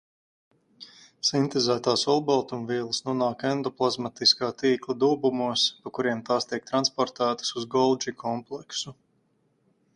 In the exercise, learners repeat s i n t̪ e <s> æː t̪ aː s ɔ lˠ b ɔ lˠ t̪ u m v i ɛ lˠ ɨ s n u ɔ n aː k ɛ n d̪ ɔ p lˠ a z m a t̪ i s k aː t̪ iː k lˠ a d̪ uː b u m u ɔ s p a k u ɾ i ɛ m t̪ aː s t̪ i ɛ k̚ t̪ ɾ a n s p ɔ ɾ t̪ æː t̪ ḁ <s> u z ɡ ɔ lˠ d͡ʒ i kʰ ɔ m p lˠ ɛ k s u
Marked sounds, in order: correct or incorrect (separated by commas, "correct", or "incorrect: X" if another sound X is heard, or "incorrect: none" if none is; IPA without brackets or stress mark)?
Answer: incorrect: z, correct